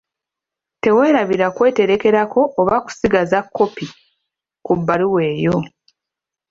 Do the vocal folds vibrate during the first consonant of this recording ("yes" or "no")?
no